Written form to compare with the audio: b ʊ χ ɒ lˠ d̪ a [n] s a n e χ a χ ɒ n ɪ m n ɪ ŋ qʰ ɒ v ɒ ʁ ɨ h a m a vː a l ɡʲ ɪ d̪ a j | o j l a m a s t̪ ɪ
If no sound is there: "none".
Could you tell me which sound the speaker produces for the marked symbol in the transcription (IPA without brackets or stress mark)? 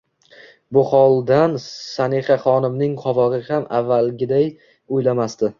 n